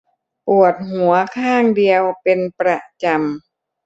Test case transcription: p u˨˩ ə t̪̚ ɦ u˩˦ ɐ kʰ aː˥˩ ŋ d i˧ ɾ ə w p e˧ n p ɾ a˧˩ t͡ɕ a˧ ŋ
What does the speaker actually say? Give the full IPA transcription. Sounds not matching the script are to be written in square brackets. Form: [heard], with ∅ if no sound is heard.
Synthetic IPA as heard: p u˨˩ ə t̪̚ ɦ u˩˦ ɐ kʰ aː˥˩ ŋ d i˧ [∅] ə w p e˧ n p ɾ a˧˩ t͡ɕ a˧ [m]